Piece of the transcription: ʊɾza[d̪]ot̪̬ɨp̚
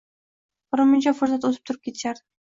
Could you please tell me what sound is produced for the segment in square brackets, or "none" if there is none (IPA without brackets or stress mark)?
t̪